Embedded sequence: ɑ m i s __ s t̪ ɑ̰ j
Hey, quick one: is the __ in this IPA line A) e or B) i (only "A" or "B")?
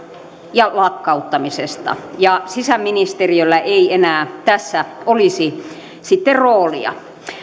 A